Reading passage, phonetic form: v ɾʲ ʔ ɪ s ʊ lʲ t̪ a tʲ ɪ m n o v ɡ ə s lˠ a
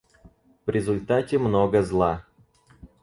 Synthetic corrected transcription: v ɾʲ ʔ ɪ z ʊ lʲ t̪ a tʲ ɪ m n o ɡ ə z lˠ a